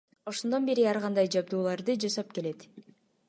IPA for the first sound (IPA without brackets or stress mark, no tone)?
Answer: o̞